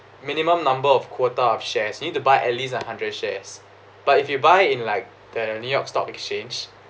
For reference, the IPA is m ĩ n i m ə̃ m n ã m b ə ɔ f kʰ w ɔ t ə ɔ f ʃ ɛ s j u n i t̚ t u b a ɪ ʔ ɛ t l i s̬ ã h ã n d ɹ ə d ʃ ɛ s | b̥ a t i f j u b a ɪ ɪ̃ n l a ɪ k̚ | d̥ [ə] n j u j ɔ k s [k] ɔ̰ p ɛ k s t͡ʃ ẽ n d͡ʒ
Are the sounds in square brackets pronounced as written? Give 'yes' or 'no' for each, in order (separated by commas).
yes, no